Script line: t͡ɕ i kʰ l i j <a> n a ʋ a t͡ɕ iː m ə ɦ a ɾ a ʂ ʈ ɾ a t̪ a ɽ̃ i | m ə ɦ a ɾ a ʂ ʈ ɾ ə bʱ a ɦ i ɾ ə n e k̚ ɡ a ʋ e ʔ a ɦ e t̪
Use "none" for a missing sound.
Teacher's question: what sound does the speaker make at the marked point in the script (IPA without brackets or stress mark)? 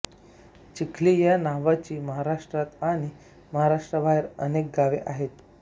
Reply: a